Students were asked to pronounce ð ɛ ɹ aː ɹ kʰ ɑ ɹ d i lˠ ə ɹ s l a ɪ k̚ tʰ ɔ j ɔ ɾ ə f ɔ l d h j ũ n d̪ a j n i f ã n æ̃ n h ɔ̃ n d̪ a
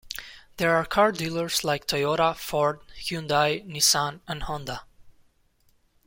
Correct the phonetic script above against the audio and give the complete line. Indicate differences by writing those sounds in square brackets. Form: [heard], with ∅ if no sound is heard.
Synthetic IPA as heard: ð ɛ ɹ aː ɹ kʰ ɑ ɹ d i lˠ ə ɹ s l a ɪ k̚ tʰ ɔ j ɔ ɾ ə f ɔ [ɹ] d h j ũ n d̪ a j n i [s] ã n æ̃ n h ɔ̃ n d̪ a

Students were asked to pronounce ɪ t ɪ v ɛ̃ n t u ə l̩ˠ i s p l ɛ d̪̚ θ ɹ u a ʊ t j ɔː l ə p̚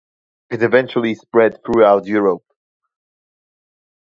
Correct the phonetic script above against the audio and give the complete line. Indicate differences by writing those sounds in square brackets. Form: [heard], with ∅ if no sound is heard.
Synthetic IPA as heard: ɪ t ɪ v ɛ̃ n [t͡ʃ] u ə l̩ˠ i s p [ɹ] ɛ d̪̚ θ ɹ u a ʊ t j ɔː [ɹ] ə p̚

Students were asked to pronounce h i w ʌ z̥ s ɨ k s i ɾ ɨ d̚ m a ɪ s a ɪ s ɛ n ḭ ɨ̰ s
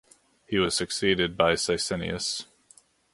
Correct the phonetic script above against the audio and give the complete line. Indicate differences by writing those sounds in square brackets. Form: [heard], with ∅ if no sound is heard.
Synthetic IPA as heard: h i w ʌ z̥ s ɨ k s i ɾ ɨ d̚ [b] a ɪ s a ɪ s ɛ n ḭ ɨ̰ s

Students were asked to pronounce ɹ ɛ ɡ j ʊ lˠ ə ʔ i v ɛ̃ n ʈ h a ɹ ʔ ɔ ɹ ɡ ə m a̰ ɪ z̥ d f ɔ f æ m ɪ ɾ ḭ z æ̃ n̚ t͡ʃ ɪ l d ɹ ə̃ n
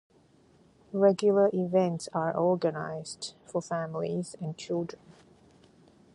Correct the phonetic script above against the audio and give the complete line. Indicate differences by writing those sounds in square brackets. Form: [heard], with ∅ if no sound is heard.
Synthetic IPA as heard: ɹ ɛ ɡ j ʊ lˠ ə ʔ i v ɛ̃ n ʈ [s] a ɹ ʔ ɔ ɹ ɡ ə [n] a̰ ɪ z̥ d f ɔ f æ m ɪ [l] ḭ z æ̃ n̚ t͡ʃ ɪ l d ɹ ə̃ n

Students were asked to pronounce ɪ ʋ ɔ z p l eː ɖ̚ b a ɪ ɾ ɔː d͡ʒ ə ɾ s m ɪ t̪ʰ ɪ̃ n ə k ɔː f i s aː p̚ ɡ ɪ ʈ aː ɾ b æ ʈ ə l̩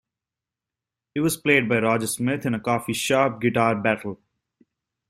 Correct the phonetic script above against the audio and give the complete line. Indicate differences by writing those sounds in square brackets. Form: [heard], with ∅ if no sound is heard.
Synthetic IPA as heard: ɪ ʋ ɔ z p l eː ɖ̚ b a ɪ ɾ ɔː d͡ʒ ə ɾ s m ɪ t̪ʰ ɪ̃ n ə k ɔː f i [ʃ] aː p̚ ɡ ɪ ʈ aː ɾ b æ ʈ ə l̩

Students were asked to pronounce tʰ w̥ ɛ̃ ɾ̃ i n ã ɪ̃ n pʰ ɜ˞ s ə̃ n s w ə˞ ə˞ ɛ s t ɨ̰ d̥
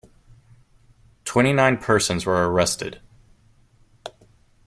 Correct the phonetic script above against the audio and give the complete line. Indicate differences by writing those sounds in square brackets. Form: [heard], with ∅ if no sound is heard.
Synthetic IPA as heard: tʰ w̥ ɛ̃ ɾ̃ i n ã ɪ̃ n pʰ ɜ˞ s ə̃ n [z] w ə˞ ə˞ ɛ s t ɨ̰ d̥

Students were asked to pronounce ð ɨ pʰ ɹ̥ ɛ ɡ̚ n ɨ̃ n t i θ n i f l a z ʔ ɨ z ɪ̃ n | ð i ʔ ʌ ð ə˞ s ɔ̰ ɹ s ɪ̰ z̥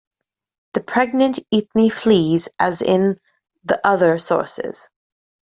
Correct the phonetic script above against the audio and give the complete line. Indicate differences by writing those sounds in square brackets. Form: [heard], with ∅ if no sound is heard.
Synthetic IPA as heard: ð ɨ pʰ ɹ̥ ɛ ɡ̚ n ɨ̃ n t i θ n i f l [i] z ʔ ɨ z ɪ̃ n | ð i ʔ ʌ ð ə˞ s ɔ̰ ɹ s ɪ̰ z̥

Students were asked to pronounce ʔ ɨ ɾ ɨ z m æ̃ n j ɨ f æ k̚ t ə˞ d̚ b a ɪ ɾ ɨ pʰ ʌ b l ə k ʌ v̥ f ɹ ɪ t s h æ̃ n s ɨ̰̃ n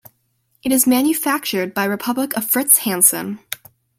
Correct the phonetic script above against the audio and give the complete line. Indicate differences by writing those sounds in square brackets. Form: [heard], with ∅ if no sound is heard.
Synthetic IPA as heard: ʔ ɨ ɾ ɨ z m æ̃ n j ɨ f æ k̚ [t͡ʃ] ə˞ d̚ b a ɪ [ɹ] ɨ pʰ ʌ b l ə k ʌ v̥ f ɹ ɪ t s h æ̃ n s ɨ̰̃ n

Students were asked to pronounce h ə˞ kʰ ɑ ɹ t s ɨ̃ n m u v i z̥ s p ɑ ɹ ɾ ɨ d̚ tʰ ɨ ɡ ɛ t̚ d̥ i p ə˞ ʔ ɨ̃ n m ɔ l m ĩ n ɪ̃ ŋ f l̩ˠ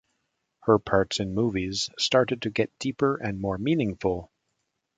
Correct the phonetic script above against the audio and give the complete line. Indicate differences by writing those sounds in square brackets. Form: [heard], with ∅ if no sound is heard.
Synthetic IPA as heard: h ə˞ [pʰ] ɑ ɹ t s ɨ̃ n m u v i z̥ s [t] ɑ ɹ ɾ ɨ d̚ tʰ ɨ ɡ ɛ t̚ d̥ i p ə˞ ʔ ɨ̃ n m ɔ [ɹ] m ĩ n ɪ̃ ŋ f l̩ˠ

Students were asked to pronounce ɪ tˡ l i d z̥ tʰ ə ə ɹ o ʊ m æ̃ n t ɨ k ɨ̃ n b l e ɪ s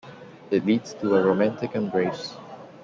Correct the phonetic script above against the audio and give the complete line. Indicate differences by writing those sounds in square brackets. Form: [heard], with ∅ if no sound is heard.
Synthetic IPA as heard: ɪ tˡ l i d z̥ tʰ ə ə ɹ o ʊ m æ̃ n t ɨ k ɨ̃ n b [ɹ] e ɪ s

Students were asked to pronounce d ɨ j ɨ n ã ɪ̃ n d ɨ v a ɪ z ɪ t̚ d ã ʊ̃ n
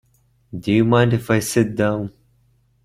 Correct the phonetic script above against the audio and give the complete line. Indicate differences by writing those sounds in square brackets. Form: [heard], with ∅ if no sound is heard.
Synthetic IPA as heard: d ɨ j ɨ [m] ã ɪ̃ n d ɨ [f] a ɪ [s] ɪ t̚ d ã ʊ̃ n

